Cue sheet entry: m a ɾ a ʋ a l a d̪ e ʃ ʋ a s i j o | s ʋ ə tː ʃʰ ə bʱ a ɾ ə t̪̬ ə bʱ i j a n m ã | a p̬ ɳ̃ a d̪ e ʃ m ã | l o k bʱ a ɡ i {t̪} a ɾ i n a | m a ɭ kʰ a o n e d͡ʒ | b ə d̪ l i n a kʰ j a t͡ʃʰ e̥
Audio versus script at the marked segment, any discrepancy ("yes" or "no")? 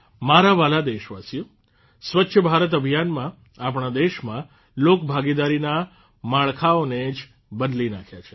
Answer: yes